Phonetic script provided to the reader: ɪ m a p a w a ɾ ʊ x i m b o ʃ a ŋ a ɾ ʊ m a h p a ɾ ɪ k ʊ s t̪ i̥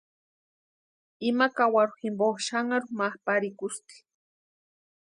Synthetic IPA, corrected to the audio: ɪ m a k a w a ɾ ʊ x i m b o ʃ a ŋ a ɾ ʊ m a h p a ɾ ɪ k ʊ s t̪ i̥